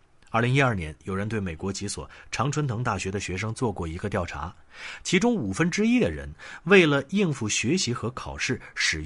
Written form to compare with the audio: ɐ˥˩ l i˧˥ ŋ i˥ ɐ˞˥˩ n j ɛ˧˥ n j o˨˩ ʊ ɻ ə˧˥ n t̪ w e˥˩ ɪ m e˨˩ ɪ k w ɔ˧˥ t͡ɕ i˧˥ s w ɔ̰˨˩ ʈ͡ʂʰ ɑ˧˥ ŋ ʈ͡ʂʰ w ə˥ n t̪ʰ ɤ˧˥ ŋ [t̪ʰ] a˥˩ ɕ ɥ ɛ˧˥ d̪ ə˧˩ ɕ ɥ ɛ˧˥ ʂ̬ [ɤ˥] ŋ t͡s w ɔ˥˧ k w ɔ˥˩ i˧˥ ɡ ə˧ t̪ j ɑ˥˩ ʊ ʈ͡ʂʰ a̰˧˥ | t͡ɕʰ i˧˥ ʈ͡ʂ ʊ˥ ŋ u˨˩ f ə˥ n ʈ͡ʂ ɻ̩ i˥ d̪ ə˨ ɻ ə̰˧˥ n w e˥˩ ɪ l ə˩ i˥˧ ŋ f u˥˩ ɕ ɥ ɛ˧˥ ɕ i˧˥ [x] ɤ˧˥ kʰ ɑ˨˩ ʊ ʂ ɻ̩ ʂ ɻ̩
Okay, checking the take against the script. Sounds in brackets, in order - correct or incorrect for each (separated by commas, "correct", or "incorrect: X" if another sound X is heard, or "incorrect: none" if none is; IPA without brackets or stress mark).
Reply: incorrect: t̪, correct, correct